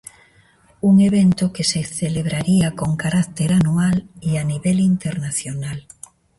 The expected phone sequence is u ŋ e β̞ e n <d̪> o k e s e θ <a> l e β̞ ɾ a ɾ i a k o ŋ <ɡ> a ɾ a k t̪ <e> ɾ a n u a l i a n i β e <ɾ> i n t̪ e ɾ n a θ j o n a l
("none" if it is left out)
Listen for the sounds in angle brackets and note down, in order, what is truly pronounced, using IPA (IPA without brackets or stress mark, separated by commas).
t̪, e, k, e, l